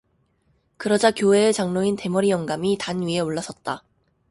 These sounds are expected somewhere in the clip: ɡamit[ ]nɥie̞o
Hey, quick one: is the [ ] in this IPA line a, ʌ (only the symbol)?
a